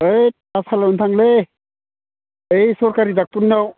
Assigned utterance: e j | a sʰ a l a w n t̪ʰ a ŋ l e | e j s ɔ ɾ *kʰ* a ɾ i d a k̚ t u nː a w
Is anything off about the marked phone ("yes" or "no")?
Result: yes